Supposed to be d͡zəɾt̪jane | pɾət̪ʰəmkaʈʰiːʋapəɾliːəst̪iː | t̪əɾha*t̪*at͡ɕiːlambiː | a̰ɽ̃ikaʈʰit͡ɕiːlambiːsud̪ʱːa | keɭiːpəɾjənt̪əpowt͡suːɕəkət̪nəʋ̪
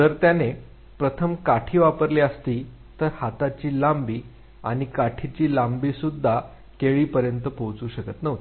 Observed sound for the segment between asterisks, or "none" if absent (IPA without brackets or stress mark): t̪